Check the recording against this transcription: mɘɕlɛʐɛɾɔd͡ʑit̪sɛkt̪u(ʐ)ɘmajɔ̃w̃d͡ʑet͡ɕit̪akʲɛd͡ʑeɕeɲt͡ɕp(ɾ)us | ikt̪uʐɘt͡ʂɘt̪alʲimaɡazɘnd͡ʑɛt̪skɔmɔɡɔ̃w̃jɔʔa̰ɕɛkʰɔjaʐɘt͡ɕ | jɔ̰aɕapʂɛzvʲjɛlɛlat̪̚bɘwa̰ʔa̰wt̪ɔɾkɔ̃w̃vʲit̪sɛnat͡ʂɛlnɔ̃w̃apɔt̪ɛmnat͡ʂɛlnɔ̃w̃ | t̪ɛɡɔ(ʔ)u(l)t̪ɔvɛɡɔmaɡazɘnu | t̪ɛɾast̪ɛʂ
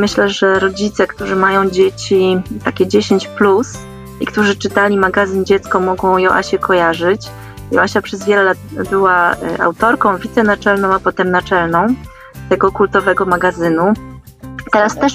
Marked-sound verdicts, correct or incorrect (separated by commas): correct, incorrect, incorrect, correct